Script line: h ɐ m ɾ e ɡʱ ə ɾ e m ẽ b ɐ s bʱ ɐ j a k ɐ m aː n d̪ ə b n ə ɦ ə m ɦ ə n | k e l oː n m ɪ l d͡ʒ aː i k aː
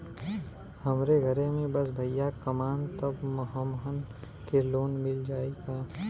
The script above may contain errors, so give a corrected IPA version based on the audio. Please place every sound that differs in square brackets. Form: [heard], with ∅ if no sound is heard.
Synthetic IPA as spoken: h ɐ m ɾ e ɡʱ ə ɾ e m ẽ b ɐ s bʱ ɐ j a k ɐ m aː n [t̪] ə b [m] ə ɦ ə m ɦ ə n | k e l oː n m ɪ l d͡ʒ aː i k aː